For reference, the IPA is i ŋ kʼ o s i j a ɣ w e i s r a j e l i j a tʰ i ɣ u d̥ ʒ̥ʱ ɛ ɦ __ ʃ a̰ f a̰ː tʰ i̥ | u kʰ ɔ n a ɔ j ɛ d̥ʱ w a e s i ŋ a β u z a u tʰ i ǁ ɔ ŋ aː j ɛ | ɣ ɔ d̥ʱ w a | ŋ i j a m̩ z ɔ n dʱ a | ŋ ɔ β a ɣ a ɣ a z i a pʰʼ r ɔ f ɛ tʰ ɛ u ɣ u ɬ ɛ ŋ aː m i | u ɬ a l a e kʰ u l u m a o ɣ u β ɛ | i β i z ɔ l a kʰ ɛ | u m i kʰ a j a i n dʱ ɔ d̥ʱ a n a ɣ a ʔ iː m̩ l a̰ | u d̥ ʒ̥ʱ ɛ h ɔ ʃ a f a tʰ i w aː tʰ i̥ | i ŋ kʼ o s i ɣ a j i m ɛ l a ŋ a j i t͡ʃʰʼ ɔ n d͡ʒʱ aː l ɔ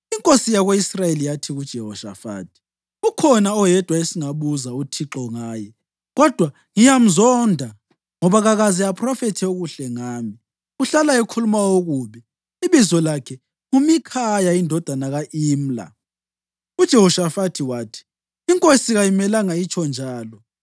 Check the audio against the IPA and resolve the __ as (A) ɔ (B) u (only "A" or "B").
A